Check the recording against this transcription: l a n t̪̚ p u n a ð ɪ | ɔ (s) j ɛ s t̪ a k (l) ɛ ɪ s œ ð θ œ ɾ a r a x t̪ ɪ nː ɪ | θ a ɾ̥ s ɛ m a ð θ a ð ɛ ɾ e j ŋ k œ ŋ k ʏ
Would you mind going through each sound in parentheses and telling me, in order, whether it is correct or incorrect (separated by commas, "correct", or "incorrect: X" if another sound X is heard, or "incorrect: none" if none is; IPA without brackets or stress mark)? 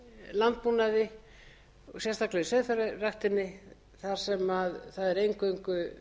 correct, correct